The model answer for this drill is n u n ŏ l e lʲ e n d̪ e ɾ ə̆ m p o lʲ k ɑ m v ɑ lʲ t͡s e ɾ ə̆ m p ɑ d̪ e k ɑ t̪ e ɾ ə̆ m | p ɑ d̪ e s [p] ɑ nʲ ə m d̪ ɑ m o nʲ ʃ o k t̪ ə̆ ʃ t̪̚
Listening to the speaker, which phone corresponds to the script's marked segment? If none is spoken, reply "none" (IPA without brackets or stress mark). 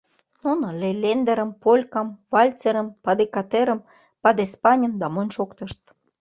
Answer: p